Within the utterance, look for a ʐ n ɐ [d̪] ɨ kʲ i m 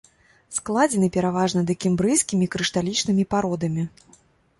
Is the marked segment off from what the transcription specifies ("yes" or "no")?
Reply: no